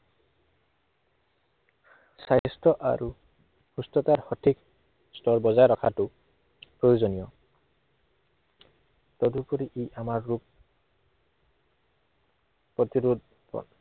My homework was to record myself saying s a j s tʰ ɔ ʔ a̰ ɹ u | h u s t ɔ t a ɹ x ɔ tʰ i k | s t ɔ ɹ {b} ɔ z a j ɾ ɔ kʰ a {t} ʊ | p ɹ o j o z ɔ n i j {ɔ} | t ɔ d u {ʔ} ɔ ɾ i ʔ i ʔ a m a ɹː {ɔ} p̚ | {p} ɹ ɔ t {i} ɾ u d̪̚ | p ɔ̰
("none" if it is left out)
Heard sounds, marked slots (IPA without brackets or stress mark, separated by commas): b, t, ɔ, p, u, p, i